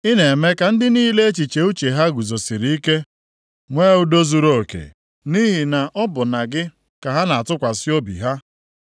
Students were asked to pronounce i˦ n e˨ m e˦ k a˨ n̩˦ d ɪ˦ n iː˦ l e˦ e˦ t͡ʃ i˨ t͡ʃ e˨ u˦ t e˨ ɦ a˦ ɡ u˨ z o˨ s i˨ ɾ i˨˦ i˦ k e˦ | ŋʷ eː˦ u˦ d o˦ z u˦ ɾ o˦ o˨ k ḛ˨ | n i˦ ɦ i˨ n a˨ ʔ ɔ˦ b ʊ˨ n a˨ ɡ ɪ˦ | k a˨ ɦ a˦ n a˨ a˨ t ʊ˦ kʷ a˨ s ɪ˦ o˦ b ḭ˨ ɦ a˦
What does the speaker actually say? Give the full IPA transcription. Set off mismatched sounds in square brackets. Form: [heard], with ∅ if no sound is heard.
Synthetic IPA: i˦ n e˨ m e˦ k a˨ n̩˦ d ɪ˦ n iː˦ l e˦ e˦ t͡ʃ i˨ t͡ʃ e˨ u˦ [t͡ʃ] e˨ ɦ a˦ ɡ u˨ z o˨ s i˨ ɾ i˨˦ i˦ k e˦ | ŋʷ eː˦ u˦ d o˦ z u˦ ɾ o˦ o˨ k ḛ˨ | n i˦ ɦ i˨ n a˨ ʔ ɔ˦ b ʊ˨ n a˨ ɡ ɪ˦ | k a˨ ɦ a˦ n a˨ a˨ t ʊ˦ kʷ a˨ s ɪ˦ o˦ b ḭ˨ ɦ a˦